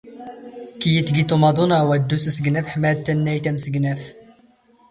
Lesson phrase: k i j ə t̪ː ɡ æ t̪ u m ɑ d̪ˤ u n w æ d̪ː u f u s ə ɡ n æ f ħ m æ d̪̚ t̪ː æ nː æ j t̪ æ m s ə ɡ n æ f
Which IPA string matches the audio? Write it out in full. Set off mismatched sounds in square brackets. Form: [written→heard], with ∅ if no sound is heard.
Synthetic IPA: k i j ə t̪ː ɡ [æ→i] t̪ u m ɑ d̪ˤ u n w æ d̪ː u [f→s] u s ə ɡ n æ f ħ m æ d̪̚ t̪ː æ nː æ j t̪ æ m s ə ɡ n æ f

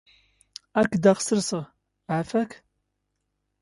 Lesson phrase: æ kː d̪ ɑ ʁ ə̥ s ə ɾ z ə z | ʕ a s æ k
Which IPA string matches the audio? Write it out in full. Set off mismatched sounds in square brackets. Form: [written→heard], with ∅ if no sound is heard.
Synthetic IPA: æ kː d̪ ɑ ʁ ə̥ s ə ɾ [z→s] ə [z→ʁ] | ʕ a [s→f] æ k

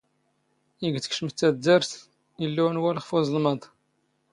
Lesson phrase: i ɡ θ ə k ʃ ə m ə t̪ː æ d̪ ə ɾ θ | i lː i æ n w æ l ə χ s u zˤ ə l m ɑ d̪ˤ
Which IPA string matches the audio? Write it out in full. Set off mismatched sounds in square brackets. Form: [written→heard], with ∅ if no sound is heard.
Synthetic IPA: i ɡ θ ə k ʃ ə m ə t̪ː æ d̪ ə ɾ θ | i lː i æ n w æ l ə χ [s→f] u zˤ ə l m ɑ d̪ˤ

